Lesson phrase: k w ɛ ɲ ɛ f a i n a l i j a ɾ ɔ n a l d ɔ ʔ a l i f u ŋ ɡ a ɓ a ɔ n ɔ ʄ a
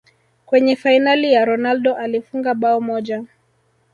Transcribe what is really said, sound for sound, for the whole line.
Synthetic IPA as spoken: k w ɛ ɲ ɛ f a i n a l i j a ɾ ɔ n a l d ɔ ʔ a l i f u ŋ ɡ a ɓ a ɔ m ɔ ʄ a

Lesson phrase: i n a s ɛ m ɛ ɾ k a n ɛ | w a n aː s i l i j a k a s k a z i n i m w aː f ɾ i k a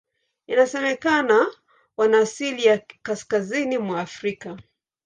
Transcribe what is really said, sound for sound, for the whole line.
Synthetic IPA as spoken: i n a s ɛ m ɛ k a n a | w a n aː s i l i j a k a s k a z i n i m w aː f ɾ i k a

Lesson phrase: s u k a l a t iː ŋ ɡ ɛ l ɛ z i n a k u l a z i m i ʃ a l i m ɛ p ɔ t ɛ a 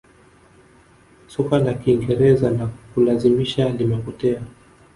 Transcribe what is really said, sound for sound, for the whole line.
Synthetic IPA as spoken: s u k a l a k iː ŋ ɡ ɛ ɾ ɛ z a n a k u l a z i m i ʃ a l i m ɛ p ɔ t ɛ a

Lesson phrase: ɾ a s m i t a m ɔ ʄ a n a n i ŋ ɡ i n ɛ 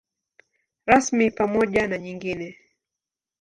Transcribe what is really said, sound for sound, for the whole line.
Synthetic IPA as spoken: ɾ a s m i p a m ɔ ʄ a n a ɲ i ŋ ɡ i n ɛ

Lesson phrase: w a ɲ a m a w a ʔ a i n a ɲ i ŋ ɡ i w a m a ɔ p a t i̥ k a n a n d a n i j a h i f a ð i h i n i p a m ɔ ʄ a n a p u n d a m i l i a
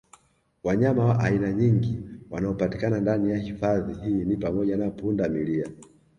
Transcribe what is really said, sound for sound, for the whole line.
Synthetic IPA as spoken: w a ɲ a m a w a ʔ a i n a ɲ i ŋ ɡ i w a n a ɔ p a t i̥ k a n a n d a n i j a h i f a ð i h i n i p a m ɔ ʄ a n a p u n d a m i l i a

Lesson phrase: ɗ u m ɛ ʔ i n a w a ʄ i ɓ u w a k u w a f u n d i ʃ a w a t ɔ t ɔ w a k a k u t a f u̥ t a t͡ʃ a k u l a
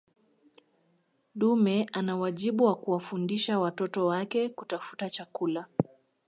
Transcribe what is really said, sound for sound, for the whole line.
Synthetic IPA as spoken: ɗ u m ɛ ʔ a n a w a ʄ i ɓ u w a k u w a f u n d i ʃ a w a t ɔ t ɔ w a k ɛ k u t a f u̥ t a t͡ʃ a k u l a

